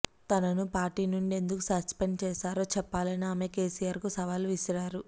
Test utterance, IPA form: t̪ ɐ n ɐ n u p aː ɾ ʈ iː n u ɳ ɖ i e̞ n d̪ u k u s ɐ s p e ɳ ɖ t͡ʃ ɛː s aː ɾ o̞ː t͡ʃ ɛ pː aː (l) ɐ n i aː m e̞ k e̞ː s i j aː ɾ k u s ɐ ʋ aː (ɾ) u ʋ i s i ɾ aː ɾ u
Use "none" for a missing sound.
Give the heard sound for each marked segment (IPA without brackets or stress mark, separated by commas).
l, l